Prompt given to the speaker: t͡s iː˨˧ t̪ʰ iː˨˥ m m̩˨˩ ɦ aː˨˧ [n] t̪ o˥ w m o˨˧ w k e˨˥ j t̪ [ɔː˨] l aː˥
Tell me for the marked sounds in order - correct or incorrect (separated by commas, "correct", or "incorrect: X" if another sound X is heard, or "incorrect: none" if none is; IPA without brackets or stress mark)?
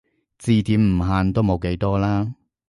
correct, incorrect: ɔː˥